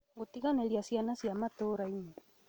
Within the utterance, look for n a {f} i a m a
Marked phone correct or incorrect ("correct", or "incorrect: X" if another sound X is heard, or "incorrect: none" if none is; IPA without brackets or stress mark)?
incorrect: s